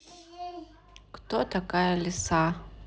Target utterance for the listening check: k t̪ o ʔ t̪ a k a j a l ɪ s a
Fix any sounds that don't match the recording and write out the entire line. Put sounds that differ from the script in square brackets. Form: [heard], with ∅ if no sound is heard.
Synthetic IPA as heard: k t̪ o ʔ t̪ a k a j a l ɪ s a